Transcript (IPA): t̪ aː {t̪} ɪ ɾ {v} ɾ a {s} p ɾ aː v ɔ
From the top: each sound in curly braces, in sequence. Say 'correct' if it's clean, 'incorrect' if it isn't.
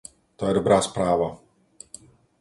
incorrect, incorrect, correct

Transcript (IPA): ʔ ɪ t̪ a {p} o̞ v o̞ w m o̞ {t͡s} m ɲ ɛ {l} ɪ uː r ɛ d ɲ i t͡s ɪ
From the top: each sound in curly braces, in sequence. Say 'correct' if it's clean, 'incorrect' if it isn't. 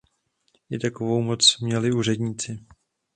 incorrect, correct, correct

